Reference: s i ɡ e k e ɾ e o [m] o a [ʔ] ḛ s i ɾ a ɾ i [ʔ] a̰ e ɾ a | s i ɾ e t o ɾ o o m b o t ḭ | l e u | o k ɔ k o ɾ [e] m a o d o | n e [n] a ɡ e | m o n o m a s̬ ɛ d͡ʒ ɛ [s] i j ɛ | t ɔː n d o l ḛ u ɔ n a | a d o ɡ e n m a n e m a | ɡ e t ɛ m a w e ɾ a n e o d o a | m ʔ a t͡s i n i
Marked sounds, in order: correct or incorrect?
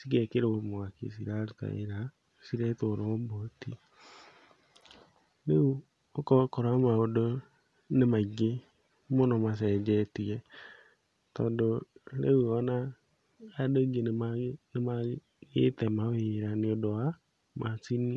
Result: correct, incorrect: k, incorrect: t, incorrect: a, incorrect: m, incorrect: t

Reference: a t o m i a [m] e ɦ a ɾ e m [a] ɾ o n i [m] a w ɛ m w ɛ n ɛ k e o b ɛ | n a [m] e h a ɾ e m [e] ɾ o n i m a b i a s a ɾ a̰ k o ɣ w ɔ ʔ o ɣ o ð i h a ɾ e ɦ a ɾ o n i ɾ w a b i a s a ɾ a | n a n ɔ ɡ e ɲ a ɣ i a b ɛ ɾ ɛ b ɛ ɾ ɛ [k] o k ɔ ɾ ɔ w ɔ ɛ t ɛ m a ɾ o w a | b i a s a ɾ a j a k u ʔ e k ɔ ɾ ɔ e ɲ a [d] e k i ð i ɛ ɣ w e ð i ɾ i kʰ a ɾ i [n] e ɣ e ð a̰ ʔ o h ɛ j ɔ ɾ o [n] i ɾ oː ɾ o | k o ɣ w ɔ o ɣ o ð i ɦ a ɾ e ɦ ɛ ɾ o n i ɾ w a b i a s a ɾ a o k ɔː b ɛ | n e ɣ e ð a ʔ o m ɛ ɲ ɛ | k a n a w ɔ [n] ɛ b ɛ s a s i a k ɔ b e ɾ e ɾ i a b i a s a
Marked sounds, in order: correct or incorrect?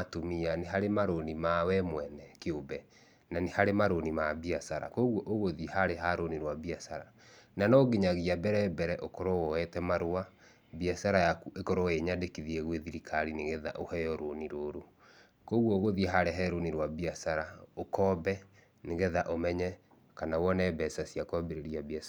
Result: incorrect: n, correct, correct, incorrect: n, incorrect: a, incorrect: ʔ, correct, correct, correct, correct

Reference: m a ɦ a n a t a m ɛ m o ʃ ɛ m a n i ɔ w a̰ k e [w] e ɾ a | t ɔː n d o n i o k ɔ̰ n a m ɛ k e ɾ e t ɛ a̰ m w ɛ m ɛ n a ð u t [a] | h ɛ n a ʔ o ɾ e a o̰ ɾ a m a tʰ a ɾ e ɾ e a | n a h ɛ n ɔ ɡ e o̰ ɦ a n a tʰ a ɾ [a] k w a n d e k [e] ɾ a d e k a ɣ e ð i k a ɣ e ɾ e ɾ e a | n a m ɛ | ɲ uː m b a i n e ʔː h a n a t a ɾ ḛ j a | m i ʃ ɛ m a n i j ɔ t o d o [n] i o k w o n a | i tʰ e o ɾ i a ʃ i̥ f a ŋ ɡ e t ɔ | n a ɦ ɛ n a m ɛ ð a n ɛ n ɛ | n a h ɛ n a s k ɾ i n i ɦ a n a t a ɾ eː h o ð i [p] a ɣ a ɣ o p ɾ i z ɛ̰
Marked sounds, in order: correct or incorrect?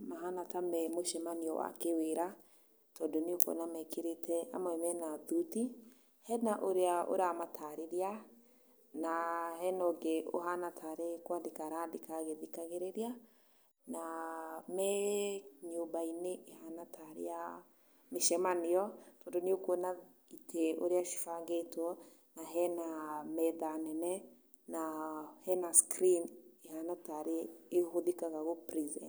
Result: correct, incorrect: i, incorrect: e, incorrect: a, correct, incorrect: k

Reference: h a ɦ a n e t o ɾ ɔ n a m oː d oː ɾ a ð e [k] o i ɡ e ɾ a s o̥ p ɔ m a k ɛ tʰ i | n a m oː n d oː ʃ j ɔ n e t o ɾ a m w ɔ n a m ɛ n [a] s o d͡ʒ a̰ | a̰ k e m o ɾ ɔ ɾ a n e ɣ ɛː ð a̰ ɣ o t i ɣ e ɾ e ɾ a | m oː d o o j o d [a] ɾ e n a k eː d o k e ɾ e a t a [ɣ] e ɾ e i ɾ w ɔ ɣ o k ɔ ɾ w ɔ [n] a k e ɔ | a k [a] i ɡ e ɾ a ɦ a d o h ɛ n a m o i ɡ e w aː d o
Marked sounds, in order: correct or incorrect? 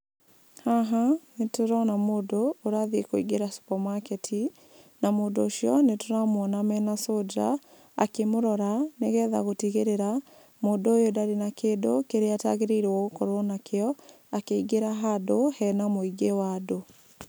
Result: correct, correct, correct, correct, correct, incorrect: e

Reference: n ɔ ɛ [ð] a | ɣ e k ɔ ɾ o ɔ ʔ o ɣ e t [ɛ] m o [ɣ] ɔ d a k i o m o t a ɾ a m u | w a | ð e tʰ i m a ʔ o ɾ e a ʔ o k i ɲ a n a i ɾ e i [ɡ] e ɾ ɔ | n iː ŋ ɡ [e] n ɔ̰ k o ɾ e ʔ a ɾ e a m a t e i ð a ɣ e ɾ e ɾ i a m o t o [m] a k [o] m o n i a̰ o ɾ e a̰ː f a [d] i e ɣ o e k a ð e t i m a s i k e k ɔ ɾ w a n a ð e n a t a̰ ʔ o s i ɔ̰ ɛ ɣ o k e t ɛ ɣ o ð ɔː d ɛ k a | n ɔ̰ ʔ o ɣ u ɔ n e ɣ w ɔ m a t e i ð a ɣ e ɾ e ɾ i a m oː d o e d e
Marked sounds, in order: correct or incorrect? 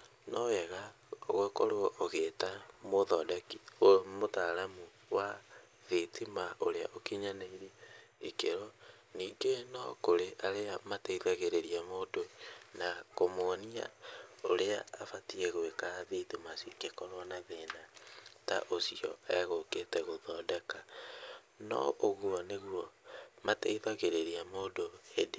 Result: incorrect: ɣ, incorrect: a, incorrect: ð, incorrect: k, correct, incorrect: n, correct, incorrect: t

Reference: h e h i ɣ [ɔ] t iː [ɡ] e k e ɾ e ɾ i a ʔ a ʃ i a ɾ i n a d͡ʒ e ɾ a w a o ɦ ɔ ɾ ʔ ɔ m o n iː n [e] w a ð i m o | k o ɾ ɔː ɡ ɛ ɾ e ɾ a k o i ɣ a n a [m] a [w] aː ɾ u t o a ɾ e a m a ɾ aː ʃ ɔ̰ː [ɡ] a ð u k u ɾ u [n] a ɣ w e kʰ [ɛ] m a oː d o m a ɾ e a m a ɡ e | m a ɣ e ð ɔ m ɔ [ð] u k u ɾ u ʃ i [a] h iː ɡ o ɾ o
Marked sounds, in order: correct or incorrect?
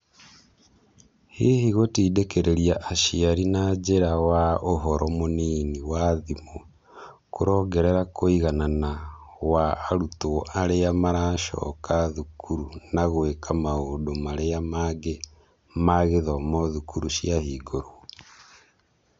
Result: incorrect: o, incorrect: d, incorrect: i, incorrect: n, correct, incorrect: k, correct, incorrect: a, correct, correct

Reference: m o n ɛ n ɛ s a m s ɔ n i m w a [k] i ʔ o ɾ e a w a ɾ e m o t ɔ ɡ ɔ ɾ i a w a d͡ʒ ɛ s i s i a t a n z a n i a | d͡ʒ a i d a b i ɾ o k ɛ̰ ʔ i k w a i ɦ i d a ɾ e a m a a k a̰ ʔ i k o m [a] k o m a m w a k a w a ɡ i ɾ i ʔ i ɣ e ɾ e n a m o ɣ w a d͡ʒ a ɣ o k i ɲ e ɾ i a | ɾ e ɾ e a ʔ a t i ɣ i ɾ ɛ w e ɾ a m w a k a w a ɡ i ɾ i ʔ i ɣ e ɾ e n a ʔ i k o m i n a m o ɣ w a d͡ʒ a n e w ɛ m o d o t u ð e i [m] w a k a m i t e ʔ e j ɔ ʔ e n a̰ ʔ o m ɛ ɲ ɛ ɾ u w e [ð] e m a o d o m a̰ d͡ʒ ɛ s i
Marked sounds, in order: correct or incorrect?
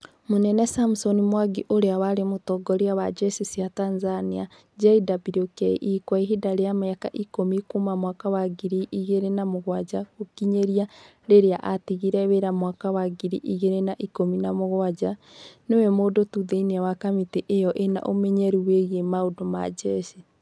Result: incorrect: ɡ, incorrect: i, incorrect: n, incorrect: ɣ

